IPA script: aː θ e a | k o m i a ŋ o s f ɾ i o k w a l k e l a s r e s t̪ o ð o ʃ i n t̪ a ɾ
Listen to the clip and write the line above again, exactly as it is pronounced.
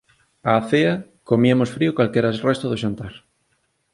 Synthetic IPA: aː θ e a | k o m i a m o s f ɾ i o k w a l k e ɾ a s r e s t̪ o ð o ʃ a n t̪ a ɾ